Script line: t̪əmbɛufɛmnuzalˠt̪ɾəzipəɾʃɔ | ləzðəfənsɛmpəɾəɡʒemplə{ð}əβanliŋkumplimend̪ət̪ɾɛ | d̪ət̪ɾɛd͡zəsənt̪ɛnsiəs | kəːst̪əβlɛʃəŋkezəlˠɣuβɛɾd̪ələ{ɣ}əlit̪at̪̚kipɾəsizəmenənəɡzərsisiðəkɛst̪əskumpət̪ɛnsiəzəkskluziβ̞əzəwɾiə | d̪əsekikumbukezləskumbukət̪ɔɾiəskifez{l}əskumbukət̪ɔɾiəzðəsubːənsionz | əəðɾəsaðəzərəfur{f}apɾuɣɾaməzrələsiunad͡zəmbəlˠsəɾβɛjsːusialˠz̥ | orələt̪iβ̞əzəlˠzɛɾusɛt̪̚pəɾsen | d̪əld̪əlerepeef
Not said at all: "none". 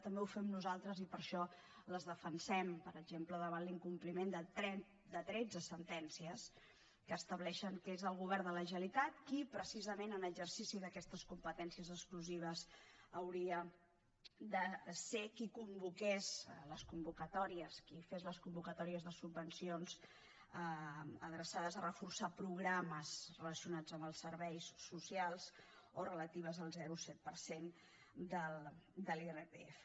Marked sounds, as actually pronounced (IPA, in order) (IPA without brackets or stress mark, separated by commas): ð, ʒ, l, s